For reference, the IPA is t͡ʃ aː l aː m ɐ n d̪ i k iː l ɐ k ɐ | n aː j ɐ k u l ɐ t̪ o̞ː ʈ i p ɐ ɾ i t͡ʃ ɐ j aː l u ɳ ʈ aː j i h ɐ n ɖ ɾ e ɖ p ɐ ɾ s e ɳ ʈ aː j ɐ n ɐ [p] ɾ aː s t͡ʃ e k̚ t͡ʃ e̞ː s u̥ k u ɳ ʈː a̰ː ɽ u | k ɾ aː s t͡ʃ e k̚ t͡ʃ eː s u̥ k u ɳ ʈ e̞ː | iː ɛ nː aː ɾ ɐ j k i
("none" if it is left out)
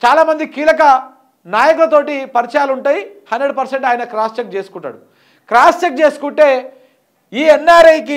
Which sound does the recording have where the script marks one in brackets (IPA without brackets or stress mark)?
k